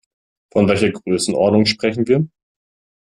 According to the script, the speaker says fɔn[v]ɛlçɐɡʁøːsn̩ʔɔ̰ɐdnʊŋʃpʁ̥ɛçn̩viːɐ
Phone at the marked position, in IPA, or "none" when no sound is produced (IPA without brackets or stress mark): v